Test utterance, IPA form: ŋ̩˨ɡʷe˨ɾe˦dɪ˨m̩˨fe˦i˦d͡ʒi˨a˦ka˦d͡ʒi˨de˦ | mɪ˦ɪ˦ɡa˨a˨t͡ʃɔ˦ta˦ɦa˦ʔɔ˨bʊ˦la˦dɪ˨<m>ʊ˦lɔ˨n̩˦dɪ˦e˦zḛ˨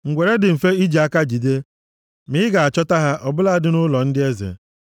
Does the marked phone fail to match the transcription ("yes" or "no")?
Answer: yes